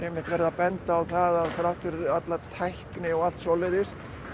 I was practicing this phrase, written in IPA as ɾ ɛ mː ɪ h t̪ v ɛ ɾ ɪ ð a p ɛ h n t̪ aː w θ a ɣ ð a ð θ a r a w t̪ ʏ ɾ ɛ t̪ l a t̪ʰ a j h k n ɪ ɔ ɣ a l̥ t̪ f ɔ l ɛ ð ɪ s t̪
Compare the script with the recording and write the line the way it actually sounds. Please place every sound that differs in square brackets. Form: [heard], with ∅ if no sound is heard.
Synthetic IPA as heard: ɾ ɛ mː ɪ h t̪ v ɛ ɾ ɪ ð a p ɛ [∅] n t̪ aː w θ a [∅] ð a ð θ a [ɾ] a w t̪ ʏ ɾ [a] t̪ l a t̪ʰ a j h k n ɪ ɔ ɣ a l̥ t̪ [s] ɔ l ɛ ð ɪ s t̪